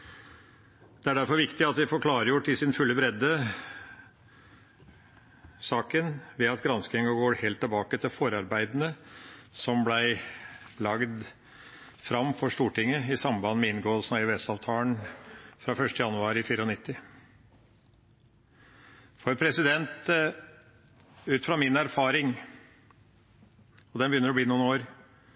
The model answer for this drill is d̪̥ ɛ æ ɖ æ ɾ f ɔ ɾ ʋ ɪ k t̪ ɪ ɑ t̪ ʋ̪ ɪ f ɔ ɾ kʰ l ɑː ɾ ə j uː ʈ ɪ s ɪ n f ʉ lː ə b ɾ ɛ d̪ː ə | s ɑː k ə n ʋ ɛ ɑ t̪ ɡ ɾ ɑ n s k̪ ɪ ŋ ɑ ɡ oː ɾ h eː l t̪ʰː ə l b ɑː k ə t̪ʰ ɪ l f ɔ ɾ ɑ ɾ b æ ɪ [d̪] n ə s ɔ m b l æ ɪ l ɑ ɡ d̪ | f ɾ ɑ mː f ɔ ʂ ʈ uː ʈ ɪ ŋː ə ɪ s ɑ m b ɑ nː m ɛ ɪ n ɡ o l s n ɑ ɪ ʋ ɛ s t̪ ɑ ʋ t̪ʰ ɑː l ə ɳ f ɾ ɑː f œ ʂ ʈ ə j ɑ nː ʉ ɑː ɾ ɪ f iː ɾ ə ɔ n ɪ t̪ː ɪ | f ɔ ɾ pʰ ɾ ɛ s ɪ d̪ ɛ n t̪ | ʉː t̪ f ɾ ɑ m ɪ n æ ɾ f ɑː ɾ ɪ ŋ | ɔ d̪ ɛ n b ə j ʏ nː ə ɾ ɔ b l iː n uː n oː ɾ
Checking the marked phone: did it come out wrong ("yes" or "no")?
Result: no